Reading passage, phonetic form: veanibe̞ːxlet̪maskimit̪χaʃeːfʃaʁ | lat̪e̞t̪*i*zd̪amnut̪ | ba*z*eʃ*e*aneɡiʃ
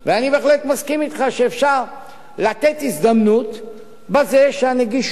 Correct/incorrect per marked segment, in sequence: correct, correct, correct

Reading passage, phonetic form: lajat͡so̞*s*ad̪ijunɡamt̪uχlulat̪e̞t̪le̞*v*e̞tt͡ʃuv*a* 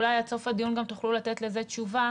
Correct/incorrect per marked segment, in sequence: incorrect, incorrect, correct

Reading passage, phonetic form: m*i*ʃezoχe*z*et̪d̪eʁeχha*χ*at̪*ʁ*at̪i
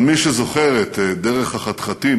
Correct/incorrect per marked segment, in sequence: correct, incorrect, correct, incorrect

